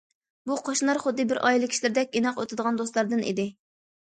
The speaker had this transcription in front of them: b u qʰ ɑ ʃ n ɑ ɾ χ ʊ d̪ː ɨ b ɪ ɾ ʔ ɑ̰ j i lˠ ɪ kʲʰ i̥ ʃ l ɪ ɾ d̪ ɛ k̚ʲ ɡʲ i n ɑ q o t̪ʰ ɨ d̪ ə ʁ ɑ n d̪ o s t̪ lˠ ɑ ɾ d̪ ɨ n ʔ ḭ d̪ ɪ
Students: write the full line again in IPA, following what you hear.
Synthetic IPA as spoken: b u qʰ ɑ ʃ n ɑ ɾ χ ʊ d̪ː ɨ b ɪ ɾ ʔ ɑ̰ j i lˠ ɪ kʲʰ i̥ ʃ l ɪ ɾ d̪ ɛ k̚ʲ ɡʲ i n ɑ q o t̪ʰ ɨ d̪ ə ʁ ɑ n d̪ o s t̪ lˠ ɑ ɾ d̪ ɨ n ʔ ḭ d̪ ɪ